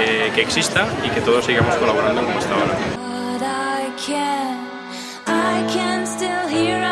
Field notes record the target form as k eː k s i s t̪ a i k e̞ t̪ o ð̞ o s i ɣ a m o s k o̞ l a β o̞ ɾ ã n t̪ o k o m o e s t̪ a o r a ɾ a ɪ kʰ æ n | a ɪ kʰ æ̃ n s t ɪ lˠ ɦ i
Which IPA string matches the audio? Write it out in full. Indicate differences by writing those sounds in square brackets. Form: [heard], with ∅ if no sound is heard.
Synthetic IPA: k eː k s i s t̪ a i k e̞ t̪ o ð̞ o s i ɣ a m o s k o̞ l a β o̞ ɾ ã n [d̪] o k o m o e s t̪ a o [ɾ] a ɾ a ɪ kʰ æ n | a ɪ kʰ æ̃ n s t ɪ lˠ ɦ i